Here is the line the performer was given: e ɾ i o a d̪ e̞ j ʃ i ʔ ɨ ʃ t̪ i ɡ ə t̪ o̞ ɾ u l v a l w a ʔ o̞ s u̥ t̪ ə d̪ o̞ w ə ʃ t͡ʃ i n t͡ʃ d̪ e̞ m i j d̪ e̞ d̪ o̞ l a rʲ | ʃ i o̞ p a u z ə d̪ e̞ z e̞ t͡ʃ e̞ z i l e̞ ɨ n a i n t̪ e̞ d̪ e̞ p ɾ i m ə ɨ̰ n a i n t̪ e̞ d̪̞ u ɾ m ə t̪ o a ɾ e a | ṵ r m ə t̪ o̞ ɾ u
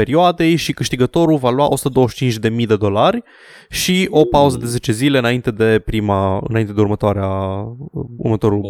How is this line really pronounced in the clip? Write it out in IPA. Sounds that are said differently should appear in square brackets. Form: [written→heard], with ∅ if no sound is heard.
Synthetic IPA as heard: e ɾ i o a d̪ e̞ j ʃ i [ʔ→k] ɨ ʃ t̪ i ɡ ə t̪ o̞ ɾ u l v a l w a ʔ o̞ s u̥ t̪ ə d̪ o̞ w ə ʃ t͡ʃ i n t͡ʃ d̪ e̞ m i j d̪ e̞ d̪ o̞ l a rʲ | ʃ i o̞ p a u z ə d̪ e̞ z e̞ t͡ʃ e̞ z i l e̞ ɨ n a i n t̪ e̞ d̪ e̞ p ɾ i m [ə→a] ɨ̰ n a i n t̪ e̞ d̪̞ u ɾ m ə t̪ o a ɾ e a | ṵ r m ə t̪ o̞ ɾ u